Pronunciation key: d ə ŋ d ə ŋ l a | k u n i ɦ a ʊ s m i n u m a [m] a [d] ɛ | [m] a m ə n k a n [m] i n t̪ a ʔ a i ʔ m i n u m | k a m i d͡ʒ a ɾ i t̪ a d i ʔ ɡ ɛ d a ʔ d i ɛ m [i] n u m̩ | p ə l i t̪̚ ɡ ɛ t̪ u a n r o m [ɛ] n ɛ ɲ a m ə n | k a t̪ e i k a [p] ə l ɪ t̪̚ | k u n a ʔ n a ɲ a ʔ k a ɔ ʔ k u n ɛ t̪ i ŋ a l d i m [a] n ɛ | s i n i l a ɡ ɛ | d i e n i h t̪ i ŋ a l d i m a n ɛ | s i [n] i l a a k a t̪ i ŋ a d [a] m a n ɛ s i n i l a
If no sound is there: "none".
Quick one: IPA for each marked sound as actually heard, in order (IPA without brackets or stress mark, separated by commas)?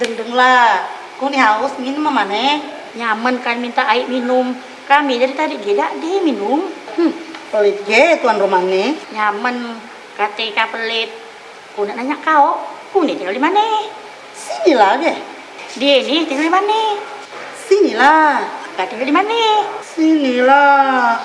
m, n, ɲ, m, i, a, p, a, n, i